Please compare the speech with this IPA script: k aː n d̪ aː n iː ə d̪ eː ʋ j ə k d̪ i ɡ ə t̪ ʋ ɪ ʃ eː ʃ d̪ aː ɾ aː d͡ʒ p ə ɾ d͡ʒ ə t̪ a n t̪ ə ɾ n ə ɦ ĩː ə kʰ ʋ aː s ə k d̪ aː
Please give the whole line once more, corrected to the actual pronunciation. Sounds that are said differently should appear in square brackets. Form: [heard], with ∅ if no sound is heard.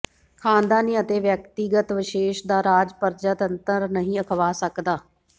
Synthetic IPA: [kʰ] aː n d̪ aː n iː ə [t̪] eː ʋ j ə k [t̪] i ɡ ə t̪ ʋ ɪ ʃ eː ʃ d̪ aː ɾ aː d͡ʒ p ə ɾ d͡ʒ ə t̪ [ə] n t̪ ə ɾ n ə ɦ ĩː ə kʰ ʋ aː s ə k d̪ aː